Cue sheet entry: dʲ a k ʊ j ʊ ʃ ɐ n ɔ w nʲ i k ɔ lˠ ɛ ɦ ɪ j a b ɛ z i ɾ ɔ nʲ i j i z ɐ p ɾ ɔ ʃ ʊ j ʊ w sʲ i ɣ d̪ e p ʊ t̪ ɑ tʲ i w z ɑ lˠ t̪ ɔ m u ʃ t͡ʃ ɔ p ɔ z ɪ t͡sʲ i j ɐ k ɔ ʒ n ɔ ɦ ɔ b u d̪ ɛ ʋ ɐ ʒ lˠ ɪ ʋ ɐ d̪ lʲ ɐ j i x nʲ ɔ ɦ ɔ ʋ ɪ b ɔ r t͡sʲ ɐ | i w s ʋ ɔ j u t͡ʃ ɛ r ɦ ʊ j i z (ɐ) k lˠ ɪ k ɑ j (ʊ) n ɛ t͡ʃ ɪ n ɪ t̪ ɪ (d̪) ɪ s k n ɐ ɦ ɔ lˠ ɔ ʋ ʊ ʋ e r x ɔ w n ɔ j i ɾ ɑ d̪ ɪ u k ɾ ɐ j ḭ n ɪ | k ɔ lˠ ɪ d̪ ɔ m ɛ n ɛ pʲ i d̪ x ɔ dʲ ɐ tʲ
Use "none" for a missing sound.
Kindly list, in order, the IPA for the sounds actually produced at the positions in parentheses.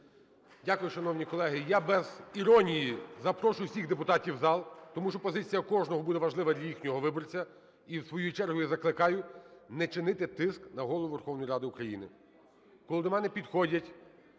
ɐ, ʊ, t̪

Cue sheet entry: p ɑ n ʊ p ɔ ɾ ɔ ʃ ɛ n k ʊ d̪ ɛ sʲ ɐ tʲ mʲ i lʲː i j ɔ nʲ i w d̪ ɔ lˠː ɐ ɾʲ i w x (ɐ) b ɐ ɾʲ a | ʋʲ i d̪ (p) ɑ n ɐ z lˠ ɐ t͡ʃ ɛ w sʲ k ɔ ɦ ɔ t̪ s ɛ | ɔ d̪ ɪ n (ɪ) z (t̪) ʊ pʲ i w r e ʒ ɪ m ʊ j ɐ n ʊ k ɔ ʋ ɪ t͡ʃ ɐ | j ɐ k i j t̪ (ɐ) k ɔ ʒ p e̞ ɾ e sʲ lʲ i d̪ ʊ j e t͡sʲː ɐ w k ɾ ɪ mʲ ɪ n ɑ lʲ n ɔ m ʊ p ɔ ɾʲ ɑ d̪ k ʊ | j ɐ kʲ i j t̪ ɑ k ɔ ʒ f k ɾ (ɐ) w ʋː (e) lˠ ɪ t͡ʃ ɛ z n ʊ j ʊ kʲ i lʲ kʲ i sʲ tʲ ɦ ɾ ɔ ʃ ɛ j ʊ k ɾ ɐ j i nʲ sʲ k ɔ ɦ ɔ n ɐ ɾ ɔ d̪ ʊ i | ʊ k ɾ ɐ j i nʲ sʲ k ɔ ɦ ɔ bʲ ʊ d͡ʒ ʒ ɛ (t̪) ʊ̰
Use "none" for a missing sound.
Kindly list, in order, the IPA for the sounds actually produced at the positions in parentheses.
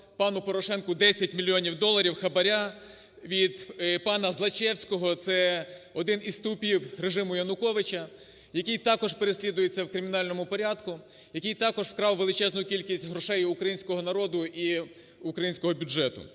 ɐ, p, i, t̪, ɑ, ɑ, e, t̪

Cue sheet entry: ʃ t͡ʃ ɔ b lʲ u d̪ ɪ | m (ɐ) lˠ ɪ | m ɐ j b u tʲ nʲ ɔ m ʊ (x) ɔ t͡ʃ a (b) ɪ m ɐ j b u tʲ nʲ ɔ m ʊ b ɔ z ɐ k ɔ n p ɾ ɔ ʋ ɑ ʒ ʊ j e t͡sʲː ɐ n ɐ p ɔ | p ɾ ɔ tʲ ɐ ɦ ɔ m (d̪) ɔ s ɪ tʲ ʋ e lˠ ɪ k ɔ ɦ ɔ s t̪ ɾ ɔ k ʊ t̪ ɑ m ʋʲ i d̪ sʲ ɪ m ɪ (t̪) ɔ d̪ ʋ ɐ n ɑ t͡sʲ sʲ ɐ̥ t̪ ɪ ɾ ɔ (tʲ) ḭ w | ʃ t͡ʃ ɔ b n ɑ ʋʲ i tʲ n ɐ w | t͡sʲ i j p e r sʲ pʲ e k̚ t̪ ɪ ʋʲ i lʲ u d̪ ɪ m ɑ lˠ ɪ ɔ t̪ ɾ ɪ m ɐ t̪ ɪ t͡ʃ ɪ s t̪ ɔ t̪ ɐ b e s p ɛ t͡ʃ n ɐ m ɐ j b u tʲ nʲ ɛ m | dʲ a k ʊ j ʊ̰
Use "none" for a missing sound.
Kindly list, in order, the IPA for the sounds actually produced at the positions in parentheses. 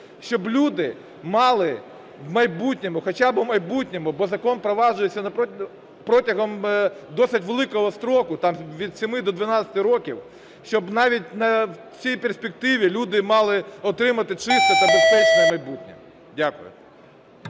ɑ, x, b, d̪, d̪, kʲ

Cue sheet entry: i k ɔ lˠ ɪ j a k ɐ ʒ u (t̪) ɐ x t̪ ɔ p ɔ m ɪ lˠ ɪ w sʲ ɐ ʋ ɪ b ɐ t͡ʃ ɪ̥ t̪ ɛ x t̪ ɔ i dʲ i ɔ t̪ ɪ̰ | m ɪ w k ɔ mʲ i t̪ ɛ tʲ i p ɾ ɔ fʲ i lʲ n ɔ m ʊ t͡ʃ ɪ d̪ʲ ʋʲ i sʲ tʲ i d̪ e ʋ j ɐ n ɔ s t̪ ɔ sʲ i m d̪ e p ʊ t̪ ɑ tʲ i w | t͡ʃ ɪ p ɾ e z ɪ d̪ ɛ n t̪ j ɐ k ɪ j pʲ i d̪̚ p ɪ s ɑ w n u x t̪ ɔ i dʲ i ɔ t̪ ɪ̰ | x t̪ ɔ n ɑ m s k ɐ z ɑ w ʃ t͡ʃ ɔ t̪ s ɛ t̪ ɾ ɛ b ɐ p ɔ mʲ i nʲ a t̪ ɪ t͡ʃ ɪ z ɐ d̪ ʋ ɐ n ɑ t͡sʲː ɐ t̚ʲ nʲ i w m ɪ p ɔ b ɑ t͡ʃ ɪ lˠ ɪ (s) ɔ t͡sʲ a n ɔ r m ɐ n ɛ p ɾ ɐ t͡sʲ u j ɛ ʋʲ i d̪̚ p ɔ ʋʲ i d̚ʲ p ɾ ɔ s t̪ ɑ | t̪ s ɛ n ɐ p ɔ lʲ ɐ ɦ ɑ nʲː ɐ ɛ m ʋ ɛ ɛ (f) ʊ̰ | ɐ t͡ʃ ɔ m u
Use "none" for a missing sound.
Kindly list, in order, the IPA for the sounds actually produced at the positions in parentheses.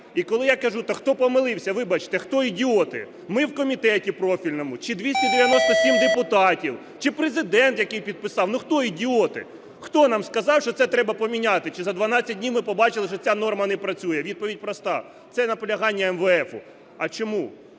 t̪, ʃ, f

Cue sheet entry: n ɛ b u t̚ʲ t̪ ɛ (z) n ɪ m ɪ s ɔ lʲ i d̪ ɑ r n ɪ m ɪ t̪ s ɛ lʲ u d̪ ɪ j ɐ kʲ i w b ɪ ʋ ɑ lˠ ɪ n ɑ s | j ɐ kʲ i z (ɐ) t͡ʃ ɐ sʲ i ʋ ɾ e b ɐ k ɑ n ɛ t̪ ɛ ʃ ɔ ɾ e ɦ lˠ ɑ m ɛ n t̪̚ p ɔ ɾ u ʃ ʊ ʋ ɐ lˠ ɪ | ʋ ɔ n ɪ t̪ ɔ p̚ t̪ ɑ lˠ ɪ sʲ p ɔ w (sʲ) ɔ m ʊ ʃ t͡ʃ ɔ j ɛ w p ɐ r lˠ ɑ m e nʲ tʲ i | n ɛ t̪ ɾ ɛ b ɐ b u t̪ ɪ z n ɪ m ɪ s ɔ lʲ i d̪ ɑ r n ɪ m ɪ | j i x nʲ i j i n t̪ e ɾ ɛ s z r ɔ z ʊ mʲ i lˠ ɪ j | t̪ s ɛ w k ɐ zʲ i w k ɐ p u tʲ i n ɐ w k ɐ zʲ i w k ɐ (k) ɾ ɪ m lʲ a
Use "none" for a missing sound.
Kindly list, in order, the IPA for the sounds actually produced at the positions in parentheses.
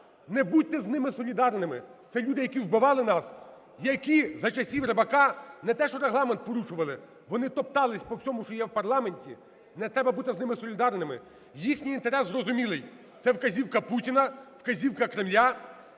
z, ɐ, sʲ, k

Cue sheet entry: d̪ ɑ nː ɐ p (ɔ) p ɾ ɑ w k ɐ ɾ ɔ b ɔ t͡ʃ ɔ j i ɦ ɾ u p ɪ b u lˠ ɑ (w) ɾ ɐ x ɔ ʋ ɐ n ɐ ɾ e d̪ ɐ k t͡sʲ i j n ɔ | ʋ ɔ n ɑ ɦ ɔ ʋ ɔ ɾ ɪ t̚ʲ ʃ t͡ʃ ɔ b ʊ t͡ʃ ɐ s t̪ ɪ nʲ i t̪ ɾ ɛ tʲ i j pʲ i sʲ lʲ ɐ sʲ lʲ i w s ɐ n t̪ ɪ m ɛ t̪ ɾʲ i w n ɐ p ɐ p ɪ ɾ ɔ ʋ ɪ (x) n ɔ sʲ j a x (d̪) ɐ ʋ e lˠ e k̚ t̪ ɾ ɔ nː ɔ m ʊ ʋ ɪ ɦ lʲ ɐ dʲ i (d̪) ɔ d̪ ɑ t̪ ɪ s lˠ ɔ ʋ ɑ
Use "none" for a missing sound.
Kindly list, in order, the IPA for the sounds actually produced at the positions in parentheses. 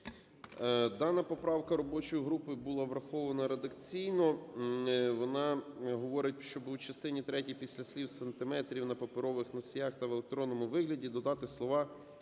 ɔ, ʋ, x, t̪, d̪

